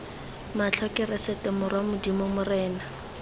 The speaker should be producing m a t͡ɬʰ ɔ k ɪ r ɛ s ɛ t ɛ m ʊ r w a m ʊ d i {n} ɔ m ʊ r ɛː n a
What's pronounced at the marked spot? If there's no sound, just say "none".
m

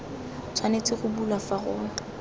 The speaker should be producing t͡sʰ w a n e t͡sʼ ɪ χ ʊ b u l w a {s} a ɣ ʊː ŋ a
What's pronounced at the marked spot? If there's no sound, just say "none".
f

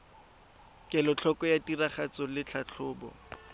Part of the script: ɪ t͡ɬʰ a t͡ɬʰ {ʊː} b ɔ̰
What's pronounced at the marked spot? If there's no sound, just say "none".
ʊː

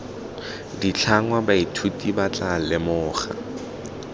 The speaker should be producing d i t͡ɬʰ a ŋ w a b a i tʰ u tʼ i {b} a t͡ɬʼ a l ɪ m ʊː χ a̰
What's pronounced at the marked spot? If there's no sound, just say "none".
b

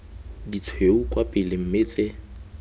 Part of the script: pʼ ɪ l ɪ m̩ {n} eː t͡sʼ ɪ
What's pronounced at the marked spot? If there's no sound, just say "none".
m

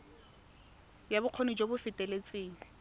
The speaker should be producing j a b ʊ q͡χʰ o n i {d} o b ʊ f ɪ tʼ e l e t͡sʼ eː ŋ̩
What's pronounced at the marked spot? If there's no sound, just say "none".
d͡ʒ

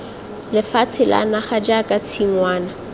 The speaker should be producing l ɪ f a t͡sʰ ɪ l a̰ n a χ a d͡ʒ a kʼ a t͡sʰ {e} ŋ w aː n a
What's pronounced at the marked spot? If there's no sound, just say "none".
i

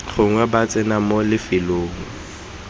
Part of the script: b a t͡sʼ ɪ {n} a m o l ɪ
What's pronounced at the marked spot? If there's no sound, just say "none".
n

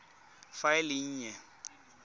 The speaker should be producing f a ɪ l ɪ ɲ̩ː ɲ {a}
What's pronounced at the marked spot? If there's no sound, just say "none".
ɛ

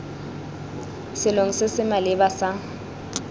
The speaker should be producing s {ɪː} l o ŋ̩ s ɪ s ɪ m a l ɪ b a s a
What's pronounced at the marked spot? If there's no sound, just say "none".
ɪ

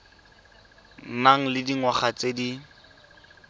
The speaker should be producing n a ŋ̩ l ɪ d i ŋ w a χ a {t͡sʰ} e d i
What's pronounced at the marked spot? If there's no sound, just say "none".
t͡s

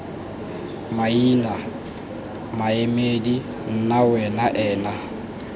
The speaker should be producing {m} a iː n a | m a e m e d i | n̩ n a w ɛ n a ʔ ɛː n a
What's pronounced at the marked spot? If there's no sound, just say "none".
m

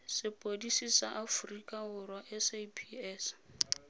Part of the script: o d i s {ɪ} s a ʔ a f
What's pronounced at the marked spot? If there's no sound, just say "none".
i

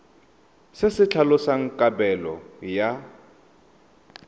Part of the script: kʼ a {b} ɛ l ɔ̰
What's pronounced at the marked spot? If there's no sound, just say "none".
b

